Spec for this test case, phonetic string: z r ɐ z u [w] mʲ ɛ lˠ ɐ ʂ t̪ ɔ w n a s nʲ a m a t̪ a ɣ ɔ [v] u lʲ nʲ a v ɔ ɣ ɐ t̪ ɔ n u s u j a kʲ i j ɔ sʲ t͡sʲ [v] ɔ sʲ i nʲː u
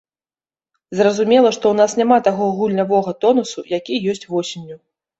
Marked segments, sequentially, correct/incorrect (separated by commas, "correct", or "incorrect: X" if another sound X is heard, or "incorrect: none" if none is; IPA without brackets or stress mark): incorrect: none, incorrect: ɣ, correct